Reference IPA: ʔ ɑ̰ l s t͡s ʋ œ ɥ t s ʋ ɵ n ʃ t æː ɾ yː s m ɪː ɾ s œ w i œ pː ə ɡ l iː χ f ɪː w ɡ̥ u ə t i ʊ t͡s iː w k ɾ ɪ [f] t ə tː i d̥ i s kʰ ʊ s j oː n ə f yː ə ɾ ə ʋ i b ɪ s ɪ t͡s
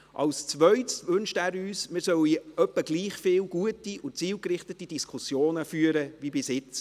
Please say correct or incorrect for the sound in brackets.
incorrect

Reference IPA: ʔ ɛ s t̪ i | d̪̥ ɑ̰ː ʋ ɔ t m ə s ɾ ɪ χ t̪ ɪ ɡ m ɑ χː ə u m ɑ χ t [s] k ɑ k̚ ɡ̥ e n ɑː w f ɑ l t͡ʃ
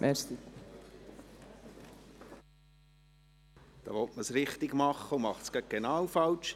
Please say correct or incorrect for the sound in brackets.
correct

